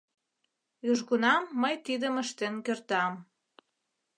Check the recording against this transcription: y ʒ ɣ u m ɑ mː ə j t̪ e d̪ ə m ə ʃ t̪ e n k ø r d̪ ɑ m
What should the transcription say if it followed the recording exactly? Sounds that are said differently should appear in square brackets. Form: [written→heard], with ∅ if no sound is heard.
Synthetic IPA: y ʒ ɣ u [m→n] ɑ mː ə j t̪ [e→i] d̪ ə m ə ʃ t̪ e n k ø r [d̪→t̪] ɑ m